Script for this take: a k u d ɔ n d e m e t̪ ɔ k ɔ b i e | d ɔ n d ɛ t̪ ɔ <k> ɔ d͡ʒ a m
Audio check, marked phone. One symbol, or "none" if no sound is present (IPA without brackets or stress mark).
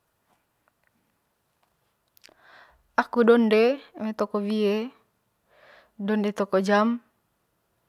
k